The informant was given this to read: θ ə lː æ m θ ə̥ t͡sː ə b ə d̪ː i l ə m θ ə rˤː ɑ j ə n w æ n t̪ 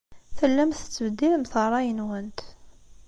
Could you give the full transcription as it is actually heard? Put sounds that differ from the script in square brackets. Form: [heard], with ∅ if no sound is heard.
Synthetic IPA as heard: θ ə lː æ m θ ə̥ t͡sː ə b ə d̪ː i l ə m θ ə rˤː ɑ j ə n w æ n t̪